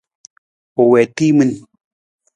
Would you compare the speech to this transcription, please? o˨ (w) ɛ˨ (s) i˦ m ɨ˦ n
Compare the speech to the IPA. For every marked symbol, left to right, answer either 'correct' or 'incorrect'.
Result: correct, incorrect: t

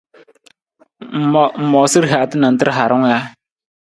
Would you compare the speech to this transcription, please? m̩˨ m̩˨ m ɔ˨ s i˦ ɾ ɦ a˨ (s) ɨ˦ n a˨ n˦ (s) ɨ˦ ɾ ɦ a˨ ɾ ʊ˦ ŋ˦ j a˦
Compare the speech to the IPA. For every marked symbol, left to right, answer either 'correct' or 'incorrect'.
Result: incorrect: t, incorrect: t

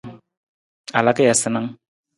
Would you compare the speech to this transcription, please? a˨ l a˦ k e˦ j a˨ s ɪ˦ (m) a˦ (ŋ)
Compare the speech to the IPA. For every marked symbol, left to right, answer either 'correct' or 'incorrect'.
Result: incorrect: n, correct

